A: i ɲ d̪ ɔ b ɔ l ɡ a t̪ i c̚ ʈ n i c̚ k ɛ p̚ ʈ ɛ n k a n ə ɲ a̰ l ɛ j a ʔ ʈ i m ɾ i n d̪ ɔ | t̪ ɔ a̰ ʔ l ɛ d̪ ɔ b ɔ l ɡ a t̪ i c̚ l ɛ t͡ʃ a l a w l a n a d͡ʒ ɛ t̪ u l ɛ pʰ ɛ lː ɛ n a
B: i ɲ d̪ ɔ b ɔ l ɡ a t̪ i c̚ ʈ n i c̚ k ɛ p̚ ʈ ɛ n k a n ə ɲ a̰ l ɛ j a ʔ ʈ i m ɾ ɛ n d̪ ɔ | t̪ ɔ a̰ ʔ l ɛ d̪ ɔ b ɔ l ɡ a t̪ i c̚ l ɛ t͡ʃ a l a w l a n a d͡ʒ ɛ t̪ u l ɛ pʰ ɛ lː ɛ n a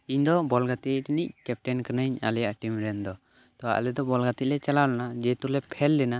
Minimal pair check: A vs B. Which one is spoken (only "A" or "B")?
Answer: B